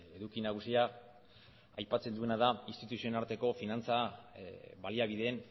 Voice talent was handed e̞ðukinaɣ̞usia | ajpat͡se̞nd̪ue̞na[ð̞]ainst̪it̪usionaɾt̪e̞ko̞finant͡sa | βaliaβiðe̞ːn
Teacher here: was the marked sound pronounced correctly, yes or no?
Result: yes